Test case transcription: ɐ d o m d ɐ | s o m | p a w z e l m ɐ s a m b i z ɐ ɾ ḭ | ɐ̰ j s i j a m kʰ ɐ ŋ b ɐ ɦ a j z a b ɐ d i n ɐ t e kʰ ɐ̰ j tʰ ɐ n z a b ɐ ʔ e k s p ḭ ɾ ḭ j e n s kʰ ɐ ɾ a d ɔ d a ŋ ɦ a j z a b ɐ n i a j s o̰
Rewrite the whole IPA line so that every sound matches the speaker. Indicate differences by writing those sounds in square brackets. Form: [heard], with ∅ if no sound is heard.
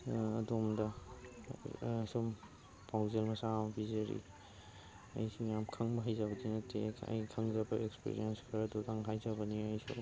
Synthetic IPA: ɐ d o m d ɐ | s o m | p a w z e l m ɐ s a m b i z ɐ ɾ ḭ | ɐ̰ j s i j a m kʰ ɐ ŋ b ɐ ɦ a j z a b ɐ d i n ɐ t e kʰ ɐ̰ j [kʰ] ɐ [ŋ] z a b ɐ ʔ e k s p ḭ ɾ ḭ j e n s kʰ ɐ ɾ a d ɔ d a ŋ ɦ a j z a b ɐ n i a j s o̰